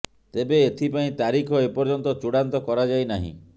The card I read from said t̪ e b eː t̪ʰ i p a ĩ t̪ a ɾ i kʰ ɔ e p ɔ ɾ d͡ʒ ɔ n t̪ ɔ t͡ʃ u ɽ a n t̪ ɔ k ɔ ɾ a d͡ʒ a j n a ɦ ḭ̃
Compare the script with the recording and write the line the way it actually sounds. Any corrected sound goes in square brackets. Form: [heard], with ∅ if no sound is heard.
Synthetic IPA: t̪ e b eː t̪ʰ i p a ĩ t̪ a ɾ i kʰ ɔ e p ɔ ɾ d͡ʒ ɔ n t̪ ɔ t͡ʃ u ɽ a n t̪ ɔ k ɔ ɾ a d͡ʒ a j n a ɦ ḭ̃